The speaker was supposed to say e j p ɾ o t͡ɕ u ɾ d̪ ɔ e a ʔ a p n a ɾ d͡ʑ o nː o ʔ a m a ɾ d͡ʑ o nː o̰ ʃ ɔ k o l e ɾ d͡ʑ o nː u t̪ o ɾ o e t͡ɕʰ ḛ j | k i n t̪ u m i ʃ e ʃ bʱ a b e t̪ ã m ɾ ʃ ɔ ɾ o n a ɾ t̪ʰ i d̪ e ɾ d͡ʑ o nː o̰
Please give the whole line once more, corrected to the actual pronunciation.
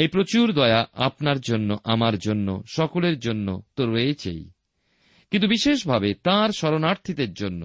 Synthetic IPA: e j p ɾ o t͡ɕ u ɾ d̪ ɔ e a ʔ a p n a ɾ d͡ʑ o nː o ʔ a m a ɾ d͡ʑ o nː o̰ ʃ ɔ k o l e ɾ d͡ʑ o nː o t̪ o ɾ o e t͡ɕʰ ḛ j | k i n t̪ u b i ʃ e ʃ bʱ a b e t̪ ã ɾ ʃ ɔ ɾ o n a ɾ t̪ʰ i d̪ e ɾ d͡ʑ o nː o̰